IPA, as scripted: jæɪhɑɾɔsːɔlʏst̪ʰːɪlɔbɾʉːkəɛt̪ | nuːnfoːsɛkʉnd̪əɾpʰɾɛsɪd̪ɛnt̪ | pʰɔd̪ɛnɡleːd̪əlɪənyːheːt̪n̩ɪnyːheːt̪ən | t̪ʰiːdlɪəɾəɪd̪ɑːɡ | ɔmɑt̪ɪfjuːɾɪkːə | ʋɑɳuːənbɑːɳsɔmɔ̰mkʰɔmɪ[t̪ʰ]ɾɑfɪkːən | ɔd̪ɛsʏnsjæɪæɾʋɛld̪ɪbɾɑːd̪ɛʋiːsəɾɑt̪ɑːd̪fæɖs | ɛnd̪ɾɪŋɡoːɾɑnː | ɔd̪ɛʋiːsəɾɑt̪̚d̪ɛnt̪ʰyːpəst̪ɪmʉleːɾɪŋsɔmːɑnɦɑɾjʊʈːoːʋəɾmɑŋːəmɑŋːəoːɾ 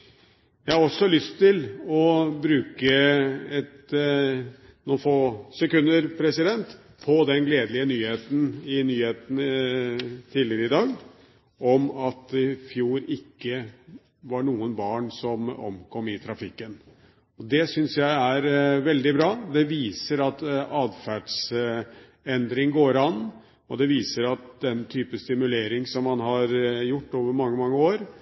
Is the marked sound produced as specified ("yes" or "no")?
yes